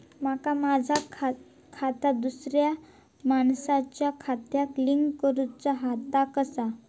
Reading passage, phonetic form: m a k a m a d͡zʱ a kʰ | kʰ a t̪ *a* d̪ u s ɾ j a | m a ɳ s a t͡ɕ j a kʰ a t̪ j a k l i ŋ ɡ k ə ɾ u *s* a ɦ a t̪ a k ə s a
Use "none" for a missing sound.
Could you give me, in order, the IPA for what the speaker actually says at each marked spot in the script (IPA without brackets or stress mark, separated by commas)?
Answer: a, t͡s